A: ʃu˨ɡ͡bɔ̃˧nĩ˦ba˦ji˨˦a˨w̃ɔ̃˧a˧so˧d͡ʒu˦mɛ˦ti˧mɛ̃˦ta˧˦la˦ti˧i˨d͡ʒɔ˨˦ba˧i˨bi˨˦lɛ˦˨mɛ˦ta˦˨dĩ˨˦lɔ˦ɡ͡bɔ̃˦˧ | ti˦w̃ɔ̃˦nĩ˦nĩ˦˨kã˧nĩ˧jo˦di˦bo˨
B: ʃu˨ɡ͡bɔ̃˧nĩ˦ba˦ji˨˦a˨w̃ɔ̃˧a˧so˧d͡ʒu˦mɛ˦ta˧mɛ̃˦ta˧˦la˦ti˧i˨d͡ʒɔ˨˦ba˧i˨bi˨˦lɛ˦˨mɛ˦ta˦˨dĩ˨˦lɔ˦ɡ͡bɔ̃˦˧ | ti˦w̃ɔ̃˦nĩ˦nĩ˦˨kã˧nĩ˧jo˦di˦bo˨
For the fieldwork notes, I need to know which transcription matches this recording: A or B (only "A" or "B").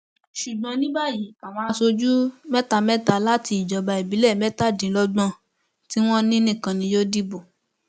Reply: B